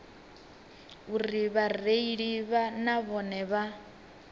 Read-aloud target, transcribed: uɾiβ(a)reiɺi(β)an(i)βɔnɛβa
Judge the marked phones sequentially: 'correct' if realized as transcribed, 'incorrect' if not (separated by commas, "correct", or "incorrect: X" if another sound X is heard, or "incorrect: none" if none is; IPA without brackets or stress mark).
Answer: correct, correct, incorrect: a